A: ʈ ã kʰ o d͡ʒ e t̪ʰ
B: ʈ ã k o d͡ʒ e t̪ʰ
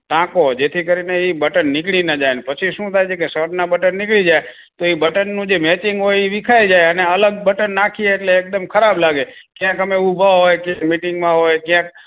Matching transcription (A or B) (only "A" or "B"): B